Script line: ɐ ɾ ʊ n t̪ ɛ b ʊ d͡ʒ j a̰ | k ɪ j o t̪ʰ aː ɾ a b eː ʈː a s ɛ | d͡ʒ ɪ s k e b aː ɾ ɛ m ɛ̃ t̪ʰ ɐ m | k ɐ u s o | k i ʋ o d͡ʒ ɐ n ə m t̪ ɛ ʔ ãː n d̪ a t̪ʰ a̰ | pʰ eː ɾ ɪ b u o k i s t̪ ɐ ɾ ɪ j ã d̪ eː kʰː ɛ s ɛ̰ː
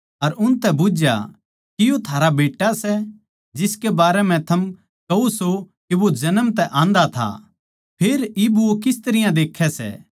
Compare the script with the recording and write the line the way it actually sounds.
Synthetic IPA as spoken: ɐ ɾ ʊ n t̪ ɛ b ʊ d͡ʒ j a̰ | k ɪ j o t̪ʰ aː ɾ a b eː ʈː a s ɛ | d͡ʒ ɪ s k e b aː ɾ ɛ m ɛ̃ t̪ʰ ɐ m | k ɐ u s o | k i ʋ o d͡ʒ ɐ n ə m t̪ ɛ ʔ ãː n d̪ a t̪ʰ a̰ | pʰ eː ɾ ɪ b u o k ɪ s t̪ ɐ ɾ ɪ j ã d̪ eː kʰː ɛ s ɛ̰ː

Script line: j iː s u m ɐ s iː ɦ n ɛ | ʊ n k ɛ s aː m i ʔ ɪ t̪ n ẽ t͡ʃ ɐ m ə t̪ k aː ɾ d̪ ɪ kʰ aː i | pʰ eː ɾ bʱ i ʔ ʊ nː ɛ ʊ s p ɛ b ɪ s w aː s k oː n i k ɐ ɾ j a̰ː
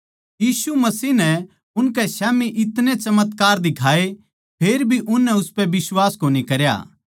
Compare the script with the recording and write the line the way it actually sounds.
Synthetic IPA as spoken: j iː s u m ɐ s iː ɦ n ɛ | ʊ n k ɛ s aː m i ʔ ɪ t̪ n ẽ t͡ʃ ɐ m ə t̪ k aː ɾ d̪ ɪ kʰ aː e | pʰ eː ɾ bʱ i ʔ ʊ nː ɛ ʊ s p ɛ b ɪ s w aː s k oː n i k ɐ ɾ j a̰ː

